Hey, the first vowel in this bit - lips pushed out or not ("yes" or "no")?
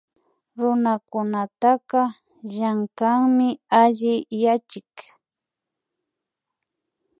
yes